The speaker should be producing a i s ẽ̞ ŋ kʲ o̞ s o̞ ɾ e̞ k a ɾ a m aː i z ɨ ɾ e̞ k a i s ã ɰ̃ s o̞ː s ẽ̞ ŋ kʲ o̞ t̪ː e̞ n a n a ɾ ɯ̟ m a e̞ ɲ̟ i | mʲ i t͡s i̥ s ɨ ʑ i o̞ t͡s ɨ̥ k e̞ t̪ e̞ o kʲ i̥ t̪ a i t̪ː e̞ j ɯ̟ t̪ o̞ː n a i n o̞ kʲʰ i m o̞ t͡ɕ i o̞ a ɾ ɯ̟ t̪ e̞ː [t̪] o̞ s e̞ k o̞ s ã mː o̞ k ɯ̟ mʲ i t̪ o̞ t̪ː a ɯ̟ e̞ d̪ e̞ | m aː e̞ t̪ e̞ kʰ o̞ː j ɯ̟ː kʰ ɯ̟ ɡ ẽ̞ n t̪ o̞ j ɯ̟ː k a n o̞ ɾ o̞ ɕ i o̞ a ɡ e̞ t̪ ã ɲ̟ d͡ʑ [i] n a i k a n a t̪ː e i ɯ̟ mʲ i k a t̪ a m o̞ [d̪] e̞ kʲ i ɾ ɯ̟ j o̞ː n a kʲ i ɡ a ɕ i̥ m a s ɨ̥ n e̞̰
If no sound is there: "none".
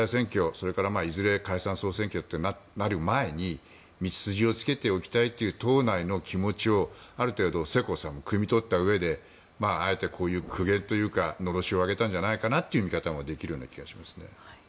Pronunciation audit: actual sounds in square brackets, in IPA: d̪, a, d̪

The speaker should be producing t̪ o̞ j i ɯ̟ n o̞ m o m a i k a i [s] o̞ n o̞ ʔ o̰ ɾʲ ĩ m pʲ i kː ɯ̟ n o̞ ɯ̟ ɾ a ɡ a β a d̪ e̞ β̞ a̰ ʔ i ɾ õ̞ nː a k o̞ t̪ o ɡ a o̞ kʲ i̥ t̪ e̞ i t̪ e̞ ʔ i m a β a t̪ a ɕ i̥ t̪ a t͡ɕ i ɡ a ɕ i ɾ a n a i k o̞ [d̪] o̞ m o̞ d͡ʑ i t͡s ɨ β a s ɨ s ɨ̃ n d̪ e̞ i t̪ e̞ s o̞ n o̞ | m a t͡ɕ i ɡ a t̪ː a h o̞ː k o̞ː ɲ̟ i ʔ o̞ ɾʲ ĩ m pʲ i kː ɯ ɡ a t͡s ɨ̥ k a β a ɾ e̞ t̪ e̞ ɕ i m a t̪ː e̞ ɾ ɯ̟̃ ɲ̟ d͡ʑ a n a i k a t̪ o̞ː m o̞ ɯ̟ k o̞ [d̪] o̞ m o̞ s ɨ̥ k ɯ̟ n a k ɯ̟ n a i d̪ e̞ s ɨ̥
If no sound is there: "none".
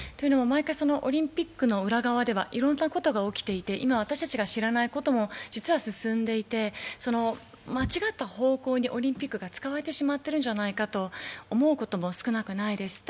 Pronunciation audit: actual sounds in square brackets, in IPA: s, t̪, t̪

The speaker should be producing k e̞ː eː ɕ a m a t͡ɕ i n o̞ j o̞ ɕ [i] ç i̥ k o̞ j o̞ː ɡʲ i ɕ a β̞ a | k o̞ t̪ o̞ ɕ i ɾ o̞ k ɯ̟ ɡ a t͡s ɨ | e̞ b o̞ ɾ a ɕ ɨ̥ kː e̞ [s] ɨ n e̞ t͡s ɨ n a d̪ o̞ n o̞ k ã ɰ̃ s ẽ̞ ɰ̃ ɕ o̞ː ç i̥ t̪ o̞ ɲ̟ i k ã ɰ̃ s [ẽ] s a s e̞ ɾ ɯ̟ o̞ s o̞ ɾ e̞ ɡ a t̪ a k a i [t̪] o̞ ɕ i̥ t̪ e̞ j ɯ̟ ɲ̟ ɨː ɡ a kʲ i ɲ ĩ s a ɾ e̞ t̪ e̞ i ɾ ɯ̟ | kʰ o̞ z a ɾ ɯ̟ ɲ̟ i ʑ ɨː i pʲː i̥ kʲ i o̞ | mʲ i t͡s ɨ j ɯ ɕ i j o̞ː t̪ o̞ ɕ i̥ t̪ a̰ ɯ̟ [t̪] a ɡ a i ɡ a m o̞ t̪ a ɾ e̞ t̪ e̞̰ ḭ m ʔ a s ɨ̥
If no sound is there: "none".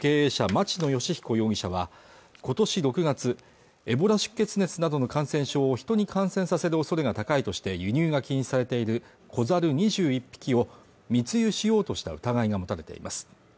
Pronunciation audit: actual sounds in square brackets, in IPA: i, t͡s, ẽ, t̪, t̪

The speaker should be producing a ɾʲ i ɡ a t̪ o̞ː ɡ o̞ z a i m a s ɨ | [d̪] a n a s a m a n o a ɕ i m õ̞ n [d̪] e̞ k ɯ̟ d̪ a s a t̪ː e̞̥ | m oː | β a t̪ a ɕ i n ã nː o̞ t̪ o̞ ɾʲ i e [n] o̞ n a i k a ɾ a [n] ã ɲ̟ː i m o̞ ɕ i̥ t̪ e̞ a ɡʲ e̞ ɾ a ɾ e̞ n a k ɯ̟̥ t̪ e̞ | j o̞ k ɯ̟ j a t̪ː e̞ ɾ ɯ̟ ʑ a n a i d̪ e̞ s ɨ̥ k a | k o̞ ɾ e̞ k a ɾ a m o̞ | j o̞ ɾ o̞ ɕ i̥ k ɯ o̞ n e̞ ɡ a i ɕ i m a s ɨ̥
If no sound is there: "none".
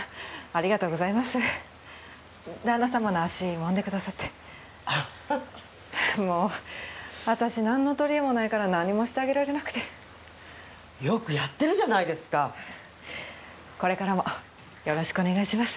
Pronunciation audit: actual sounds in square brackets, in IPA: d̪, d̪, m, n

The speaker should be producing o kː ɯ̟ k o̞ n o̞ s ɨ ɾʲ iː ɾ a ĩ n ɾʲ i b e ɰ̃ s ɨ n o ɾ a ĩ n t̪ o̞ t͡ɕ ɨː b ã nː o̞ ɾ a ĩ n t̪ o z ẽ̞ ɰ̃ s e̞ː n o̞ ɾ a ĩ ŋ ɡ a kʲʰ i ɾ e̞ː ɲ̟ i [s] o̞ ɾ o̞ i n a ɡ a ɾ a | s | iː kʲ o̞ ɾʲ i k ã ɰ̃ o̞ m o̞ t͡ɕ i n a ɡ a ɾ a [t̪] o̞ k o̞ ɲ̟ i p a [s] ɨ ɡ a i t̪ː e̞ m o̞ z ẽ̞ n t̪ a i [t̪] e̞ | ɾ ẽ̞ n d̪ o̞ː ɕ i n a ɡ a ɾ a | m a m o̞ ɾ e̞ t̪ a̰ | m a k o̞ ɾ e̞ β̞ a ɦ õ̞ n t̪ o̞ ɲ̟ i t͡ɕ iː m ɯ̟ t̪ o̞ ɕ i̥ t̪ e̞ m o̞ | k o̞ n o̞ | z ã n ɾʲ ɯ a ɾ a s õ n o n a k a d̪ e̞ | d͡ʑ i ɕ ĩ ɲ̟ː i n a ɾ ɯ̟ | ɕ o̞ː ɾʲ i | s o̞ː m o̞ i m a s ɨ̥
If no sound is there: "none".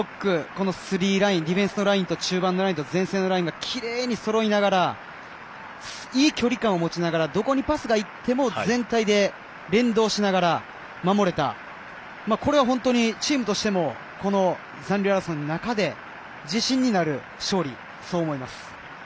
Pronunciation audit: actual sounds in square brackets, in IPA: s, d̪, s, d̪

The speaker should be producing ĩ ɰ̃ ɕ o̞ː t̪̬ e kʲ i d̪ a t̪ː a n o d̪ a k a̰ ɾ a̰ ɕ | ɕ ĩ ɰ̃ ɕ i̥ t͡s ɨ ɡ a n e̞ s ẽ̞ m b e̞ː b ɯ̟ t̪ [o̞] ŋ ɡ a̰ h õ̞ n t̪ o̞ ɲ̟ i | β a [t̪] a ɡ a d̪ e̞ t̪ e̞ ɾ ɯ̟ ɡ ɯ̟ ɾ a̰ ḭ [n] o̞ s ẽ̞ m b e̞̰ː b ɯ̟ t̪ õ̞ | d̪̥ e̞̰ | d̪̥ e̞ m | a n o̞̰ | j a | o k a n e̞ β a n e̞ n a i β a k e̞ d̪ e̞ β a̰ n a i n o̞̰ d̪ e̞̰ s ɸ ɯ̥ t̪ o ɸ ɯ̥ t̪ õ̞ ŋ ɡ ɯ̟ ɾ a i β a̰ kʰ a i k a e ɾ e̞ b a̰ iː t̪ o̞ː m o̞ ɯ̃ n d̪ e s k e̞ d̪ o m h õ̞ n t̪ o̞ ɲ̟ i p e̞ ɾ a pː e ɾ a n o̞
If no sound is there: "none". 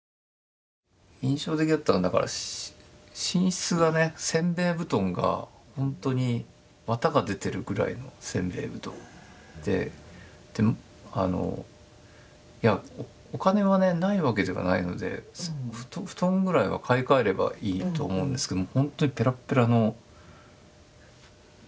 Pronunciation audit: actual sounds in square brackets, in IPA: õ̞, t̪, n

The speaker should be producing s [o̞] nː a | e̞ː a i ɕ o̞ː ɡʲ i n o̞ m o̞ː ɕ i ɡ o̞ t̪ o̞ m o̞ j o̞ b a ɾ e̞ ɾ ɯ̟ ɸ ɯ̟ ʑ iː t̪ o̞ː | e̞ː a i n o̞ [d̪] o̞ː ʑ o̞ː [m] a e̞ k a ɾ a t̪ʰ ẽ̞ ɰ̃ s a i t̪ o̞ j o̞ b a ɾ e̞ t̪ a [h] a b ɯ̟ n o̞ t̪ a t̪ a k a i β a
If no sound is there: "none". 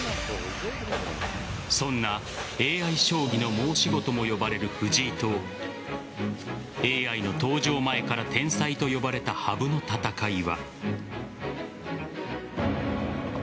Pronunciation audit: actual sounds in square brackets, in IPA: õ̞, t̪, m, h

